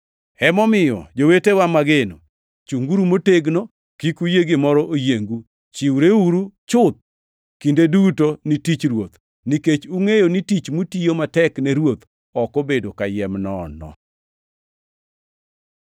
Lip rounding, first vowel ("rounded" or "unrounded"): unrounded